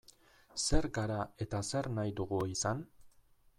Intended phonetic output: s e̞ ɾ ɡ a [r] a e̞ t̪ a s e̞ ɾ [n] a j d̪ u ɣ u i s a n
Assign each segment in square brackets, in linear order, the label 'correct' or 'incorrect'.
incorrect, correct

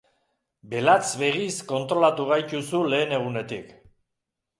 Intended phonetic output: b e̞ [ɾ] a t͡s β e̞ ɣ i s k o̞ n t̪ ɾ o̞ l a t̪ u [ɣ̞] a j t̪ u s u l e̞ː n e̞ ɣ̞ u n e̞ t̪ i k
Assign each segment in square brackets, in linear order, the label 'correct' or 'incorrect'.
incorrect, correct

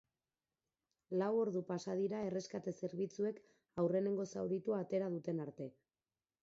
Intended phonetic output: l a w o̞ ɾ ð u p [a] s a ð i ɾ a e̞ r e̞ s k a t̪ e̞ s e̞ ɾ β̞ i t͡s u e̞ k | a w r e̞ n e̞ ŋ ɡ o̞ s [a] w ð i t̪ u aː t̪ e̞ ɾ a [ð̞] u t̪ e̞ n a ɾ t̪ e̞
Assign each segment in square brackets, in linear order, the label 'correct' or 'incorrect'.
correct, correct, correct

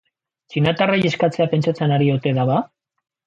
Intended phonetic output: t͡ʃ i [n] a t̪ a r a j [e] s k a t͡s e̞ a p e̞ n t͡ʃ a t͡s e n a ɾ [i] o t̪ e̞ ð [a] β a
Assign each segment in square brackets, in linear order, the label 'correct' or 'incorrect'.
correct, correct, correct, correct

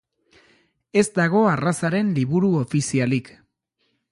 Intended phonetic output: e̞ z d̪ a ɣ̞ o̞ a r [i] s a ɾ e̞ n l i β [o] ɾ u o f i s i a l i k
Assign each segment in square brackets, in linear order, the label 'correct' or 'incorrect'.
incorrect, incorrect

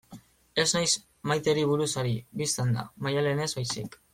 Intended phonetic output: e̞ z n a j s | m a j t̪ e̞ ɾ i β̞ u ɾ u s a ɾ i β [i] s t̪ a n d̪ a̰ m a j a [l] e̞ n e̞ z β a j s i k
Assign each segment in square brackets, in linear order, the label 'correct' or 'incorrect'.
correct, correct

